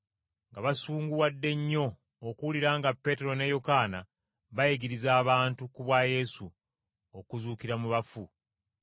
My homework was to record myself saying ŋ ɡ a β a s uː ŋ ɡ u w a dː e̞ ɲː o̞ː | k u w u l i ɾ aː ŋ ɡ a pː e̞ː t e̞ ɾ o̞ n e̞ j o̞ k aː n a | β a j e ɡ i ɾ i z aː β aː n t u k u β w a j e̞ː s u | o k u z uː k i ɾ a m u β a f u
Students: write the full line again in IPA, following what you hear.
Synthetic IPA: ŋ ɡ a β a s uː ŋ ɡ u w a dː e̞ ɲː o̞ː | k u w u l i ɾ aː ŋ ɡ a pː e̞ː t e̞ ɾ o̞ n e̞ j o̞ k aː n a | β a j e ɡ i ɾ i z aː β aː n t u k u β w a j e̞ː s u | o k u z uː k i ɾ a m u β a f u